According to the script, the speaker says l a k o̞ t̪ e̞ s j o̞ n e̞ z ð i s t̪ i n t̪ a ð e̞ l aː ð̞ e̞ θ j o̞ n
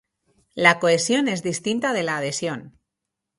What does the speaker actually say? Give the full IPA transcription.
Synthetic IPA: l a k o̞ e̞ s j o̞ n e̞ z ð i s t̪ i n t̪ a ð e̞ l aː ð̞ e̞ s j o̞ n